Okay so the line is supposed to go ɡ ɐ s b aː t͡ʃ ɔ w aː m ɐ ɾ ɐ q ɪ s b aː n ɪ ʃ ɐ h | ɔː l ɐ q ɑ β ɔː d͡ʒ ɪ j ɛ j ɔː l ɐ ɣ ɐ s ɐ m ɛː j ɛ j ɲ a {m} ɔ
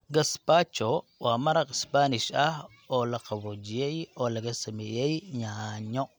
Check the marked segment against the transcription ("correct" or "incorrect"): incorrect